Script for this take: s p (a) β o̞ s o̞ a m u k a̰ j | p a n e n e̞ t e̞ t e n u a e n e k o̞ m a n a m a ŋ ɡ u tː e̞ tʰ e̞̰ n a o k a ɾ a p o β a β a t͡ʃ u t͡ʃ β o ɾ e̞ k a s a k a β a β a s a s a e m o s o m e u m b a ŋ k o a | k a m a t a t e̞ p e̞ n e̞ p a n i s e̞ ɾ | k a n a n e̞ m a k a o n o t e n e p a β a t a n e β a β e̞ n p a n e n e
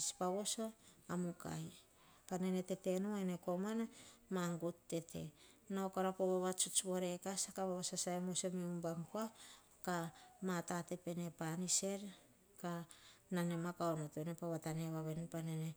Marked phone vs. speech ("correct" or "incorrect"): correct